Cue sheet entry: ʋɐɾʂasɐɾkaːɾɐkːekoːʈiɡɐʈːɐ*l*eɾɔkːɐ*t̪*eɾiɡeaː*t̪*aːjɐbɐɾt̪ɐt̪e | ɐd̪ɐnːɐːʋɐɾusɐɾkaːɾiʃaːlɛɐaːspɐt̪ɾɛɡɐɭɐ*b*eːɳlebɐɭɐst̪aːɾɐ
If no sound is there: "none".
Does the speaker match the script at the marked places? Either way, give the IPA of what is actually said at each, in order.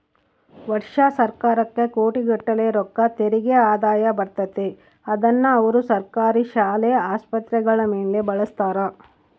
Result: l, t̪, d̪, m

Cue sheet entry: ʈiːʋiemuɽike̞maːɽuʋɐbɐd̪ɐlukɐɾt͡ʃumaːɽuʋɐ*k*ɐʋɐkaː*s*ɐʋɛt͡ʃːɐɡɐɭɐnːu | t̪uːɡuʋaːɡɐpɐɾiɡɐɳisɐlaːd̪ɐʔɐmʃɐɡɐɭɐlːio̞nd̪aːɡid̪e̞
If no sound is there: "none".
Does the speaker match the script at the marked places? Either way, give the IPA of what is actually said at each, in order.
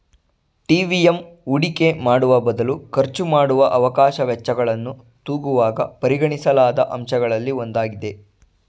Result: ʔ, ʃ

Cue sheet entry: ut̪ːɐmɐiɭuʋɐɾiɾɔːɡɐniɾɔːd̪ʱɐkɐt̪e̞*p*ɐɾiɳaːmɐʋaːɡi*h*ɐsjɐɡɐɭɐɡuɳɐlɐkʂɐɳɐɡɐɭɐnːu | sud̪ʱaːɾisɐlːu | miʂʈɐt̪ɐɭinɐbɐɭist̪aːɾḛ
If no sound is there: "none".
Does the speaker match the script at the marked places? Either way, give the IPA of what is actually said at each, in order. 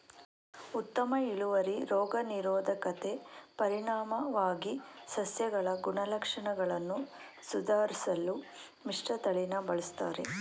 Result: p, s

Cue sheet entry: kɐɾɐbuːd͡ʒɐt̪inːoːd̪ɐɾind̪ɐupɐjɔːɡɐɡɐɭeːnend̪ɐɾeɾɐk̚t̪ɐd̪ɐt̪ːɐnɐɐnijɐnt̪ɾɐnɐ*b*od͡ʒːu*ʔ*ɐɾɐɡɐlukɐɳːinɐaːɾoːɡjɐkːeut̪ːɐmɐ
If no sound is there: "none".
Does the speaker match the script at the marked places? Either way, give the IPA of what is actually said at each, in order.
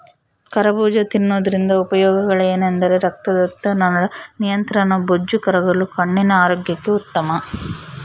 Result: b, k

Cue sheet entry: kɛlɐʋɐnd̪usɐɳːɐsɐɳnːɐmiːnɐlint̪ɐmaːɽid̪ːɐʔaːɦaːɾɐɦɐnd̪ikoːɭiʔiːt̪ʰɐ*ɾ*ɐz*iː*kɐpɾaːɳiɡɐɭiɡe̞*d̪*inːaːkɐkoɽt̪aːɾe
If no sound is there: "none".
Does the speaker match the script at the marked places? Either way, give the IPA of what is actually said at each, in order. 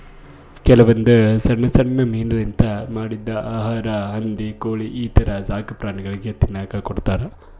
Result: ɾ, aː, t̪

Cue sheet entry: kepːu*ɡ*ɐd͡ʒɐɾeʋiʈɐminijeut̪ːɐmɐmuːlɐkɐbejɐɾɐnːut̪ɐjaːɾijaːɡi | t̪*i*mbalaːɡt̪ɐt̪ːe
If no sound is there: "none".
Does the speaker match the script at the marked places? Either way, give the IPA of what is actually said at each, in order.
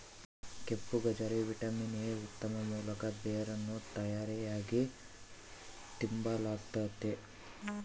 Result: ɡ, i

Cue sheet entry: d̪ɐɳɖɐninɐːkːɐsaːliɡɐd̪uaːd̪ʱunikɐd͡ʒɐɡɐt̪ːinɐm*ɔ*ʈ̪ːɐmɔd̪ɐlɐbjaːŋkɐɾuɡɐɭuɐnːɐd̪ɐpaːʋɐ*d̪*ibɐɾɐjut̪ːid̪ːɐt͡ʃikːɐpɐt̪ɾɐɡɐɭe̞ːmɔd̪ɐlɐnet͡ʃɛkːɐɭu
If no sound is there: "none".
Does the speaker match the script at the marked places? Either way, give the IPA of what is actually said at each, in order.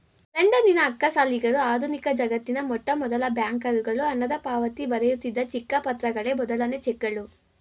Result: ɔ, t̪

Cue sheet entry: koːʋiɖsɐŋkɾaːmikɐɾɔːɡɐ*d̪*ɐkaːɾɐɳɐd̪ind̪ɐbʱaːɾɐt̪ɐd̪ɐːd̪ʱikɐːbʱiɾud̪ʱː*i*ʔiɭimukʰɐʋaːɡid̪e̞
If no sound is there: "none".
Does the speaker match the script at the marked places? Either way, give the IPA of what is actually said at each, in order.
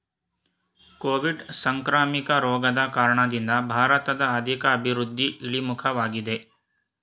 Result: d̪, i

